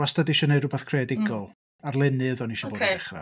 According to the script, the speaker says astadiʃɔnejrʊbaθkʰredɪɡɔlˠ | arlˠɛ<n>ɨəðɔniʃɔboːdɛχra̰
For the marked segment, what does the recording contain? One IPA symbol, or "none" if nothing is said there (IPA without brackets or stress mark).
n